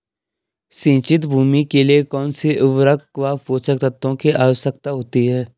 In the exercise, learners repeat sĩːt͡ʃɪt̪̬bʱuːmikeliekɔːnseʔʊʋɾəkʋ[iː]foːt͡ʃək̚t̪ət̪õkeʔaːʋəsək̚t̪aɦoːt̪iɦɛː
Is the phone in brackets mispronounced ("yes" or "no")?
yes